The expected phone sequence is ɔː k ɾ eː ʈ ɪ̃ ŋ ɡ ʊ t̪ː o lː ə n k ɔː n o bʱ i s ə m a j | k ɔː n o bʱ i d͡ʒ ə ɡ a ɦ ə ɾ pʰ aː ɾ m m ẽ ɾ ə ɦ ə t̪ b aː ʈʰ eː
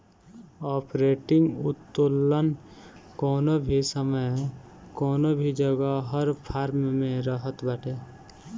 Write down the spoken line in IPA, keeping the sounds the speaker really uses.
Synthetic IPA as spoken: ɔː p ɾ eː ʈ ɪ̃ ŋ ɡ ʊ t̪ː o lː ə n k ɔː n o bʱ i s ə m ə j | k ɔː n o bʱ i d͡ʒ ə ɡ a ɦ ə ɾ pʰ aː ɾ m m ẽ ɾ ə ɦ ə t̪ b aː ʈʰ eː